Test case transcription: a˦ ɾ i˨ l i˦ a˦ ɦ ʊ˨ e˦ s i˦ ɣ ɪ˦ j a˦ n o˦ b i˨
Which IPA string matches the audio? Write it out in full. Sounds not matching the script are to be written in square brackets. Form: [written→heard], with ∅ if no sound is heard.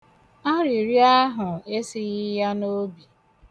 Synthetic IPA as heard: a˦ ɾ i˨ [l→ɾ] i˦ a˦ ɦ ʊ˨ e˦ s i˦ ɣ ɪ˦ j a˦ n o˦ b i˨

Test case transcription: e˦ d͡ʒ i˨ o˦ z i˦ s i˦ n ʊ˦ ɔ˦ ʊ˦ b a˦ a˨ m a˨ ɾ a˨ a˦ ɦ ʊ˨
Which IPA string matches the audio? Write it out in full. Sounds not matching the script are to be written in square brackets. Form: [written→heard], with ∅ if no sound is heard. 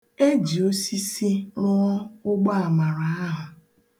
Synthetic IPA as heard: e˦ d͡ʒ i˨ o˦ [z→s] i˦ s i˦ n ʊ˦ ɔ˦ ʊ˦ [b→ɡ͡b] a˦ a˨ m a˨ ɾ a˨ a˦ ɦ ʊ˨

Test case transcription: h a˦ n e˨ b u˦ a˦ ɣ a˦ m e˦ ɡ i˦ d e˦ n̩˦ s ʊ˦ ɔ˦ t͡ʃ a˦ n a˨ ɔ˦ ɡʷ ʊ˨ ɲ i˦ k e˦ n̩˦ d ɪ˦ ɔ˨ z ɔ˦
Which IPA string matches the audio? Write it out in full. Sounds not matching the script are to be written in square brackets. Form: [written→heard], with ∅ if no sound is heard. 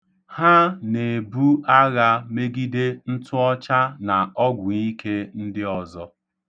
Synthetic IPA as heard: h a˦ n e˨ b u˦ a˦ ɣ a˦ m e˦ ɡ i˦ d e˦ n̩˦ [s→t] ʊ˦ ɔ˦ t͡ʃ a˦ n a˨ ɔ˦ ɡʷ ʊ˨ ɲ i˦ k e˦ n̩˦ d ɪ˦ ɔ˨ z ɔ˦

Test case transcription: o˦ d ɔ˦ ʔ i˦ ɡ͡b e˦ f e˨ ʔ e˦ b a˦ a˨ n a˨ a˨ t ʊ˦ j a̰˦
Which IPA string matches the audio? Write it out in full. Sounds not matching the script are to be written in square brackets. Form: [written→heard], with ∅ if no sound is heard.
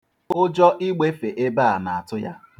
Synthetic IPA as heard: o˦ [d→d͡ʒ] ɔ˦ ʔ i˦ ɡ͡b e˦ f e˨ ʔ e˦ b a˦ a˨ n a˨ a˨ t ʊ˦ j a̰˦

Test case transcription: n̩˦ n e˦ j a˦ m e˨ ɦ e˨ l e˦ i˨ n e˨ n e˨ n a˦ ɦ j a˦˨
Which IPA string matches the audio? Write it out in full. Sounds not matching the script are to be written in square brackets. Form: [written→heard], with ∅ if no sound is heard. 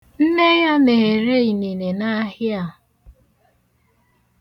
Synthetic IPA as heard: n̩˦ n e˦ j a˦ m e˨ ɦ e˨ [l→ɾ] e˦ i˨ n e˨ n e˨ n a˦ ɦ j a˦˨

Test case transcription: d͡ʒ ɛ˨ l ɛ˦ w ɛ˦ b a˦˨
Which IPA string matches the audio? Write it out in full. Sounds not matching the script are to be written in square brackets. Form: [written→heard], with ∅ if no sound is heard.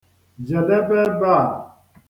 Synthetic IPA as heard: d͡ʒ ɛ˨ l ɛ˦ [w→b] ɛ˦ b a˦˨

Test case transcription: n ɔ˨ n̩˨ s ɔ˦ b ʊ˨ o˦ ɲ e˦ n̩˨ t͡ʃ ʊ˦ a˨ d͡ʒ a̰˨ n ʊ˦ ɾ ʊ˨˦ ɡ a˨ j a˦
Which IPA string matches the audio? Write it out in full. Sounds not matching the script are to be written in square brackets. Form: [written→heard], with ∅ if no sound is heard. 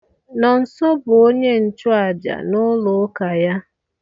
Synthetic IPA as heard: n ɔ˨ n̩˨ s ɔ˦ b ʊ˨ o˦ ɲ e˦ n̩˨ t͡ʃ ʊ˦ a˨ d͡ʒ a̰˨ n ʊ˦ [ɾ→l] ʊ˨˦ [ɡ→k] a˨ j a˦

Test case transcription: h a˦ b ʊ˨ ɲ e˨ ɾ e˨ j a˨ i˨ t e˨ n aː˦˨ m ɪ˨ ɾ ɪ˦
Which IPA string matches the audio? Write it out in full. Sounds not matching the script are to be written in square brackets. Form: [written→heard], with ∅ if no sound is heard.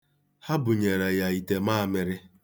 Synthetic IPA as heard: h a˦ b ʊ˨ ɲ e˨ ɾ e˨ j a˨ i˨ t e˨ [n→m] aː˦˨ m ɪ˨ ɾ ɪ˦

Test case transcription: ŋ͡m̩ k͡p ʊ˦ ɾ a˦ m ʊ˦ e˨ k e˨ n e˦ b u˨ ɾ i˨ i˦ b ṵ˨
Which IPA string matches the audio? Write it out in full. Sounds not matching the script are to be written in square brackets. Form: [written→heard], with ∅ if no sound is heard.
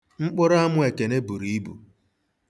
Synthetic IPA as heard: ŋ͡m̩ k͡p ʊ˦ ɾ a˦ m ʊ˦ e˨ k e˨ n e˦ b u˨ ɾ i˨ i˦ b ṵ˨

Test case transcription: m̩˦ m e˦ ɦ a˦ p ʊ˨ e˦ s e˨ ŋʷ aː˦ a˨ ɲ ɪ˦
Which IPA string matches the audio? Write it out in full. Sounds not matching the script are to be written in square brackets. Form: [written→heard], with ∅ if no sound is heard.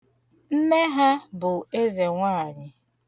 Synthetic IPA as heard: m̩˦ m e˦ ɦ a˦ [p→b] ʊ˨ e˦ [s→z] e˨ ŋʷ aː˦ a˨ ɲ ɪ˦

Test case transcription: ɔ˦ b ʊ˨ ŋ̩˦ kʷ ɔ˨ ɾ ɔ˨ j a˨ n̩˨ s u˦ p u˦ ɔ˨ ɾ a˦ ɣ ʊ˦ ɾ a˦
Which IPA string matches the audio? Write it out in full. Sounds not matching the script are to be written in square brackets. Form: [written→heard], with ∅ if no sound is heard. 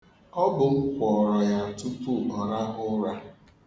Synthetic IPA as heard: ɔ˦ b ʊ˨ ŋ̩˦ kʷ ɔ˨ ɾ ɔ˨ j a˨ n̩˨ [s→t] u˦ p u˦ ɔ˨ ɾ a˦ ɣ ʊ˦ ɾ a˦

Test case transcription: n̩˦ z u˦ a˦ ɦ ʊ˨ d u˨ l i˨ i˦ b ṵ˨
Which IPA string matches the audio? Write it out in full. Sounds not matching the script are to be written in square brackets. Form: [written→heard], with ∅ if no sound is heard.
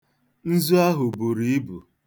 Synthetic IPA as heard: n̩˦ z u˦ a˦ ɦ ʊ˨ [d→b] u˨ [l→ɾ] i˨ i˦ b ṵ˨

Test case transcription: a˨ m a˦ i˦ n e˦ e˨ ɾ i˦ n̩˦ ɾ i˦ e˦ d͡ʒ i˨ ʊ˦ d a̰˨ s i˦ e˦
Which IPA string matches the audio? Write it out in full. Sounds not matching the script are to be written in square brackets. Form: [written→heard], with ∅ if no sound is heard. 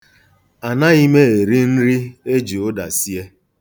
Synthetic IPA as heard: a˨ [m→n] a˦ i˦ [n→m] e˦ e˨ ɾ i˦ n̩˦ ɾ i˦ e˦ d͡ʒ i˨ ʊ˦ d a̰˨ s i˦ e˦

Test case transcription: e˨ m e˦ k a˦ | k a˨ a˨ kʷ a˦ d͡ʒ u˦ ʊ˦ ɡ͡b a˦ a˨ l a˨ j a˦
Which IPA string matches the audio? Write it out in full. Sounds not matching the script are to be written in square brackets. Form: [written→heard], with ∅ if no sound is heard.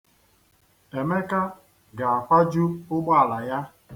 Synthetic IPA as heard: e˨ m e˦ k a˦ | [k→ɡ] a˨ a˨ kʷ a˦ d͡ʒ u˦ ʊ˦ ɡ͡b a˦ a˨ l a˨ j a˦

